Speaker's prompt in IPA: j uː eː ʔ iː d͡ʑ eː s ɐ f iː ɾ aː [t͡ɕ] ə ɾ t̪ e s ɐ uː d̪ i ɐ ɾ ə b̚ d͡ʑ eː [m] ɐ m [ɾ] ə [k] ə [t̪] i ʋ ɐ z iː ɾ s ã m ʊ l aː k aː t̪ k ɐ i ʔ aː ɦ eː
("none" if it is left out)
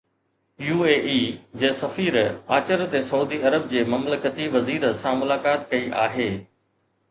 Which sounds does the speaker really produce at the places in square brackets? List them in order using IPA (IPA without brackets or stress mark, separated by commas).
t͡ɕ, m, l, k, t̪